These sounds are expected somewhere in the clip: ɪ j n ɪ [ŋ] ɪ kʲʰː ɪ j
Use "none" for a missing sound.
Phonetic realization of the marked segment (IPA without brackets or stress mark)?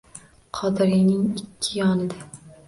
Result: ŋ